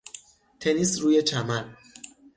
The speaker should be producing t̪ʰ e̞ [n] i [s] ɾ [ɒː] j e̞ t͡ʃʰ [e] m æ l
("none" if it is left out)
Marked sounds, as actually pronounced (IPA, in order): n, s, uː, æ

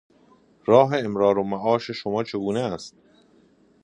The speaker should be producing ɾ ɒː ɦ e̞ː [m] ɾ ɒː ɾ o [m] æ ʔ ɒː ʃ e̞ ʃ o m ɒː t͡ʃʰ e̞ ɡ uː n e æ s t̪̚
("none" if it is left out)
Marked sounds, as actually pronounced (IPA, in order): m, m

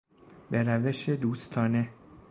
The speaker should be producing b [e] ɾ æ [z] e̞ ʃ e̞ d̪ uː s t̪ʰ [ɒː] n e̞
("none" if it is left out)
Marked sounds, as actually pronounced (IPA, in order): e, v, ɒː

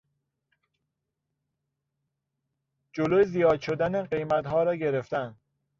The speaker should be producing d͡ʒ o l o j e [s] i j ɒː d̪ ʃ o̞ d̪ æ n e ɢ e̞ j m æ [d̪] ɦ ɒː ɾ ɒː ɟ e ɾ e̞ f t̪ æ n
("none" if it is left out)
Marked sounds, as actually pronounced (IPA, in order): z, t̪

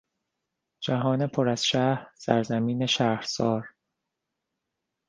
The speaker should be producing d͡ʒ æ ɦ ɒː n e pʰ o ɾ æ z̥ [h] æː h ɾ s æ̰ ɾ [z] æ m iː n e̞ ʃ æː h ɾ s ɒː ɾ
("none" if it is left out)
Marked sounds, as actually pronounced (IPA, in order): ʃ, z

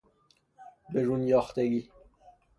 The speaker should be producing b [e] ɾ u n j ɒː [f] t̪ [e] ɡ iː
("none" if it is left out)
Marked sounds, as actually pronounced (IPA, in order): e, x, e

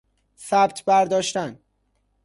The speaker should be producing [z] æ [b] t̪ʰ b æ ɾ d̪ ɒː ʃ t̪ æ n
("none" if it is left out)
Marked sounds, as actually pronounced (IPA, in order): s, b

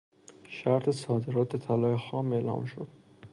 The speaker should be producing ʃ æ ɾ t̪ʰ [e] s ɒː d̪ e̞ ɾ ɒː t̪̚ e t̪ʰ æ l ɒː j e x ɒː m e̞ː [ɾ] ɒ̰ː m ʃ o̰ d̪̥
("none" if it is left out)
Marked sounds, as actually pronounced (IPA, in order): e, l

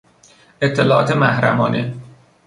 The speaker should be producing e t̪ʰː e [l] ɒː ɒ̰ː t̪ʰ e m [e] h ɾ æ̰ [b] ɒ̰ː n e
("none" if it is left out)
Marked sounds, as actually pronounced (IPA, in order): l, æ, m

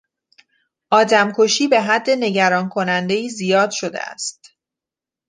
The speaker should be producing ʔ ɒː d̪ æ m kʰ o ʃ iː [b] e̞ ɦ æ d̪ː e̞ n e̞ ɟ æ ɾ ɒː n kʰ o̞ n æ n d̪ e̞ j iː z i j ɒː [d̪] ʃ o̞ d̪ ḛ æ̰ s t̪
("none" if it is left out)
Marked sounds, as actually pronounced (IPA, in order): b, d̪

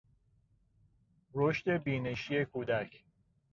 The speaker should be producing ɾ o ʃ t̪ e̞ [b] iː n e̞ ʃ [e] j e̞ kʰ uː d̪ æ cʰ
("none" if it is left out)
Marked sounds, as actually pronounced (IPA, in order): b, i

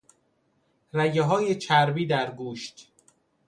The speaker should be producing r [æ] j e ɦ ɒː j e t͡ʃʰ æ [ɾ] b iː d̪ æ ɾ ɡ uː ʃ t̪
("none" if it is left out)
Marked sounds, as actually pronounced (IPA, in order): æ, ɾ

